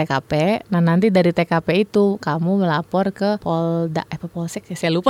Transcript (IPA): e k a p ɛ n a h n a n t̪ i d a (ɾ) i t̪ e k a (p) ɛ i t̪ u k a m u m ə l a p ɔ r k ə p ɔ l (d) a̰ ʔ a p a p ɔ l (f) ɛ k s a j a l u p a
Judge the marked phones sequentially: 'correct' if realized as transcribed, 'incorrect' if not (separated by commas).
correct, correct, correct, incorrect